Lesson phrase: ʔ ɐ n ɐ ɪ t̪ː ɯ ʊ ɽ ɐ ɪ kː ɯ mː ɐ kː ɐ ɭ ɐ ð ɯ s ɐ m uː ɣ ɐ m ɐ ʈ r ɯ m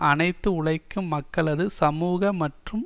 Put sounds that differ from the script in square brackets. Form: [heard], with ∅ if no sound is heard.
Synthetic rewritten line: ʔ ɐ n ɐ ɪ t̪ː ɯ ʊ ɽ ɐ ɪ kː ɯ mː ɐ kː ɐ ɭ ɐ ð ɯ s ɐ m uː ɣ ɐ m ɐ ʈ r ɯ m